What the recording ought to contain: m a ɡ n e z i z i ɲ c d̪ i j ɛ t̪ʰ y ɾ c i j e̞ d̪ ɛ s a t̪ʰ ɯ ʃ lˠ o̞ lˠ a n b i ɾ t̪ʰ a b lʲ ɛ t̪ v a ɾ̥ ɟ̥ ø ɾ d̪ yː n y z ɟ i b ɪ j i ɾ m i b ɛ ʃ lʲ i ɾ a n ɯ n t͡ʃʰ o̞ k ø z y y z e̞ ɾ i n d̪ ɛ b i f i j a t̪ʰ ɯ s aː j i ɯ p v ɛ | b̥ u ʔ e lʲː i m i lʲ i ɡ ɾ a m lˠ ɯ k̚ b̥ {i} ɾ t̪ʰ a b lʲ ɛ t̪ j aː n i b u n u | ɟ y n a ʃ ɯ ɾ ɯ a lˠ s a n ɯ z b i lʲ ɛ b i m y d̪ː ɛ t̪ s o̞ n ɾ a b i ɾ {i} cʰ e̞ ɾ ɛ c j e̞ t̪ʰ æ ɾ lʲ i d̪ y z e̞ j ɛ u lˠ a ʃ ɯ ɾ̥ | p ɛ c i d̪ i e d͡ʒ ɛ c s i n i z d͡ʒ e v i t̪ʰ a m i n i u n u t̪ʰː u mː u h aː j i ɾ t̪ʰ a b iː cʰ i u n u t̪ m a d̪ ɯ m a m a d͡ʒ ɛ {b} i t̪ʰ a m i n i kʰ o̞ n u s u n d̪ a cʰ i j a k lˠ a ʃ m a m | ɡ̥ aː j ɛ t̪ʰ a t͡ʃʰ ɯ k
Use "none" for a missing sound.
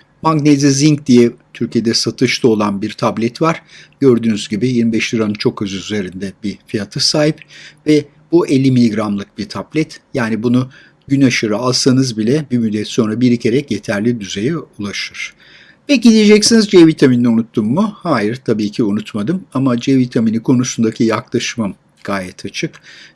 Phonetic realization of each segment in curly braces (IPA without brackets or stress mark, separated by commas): i, i, v